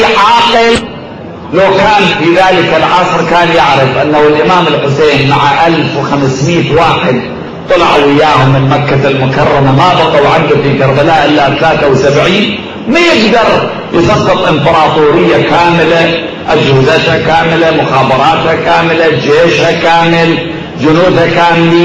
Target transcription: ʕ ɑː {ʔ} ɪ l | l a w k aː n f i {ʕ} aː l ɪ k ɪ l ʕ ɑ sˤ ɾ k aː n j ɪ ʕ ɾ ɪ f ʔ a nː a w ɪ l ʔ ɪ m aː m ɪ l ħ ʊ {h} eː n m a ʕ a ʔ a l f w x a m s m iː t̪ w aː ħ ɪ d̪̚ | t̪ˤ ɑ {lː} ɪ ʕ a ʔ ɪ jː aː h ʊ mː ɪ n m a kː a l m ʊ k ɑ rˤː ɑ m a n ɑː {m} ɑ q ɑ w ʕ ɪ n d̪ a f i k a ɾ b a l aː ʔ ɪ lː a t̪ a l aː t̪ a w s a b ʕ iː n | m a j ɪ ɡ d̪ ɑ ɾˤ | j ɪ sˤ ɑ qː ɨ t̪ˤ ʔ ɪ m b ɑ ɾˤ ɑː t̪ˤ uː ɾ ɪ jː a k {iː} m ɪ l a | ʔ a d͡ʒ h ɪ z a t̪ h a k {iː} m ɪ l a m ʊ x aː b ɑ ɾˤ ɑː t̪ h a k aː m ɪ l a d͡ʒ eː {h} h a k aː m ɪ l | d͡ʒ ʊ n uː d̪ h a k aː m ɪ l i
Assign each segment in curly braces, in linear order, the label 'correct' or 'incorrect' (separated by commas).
incorrect, incorrect, incorrect, incorrect, incorrect, incorrect, incorrect, incorrect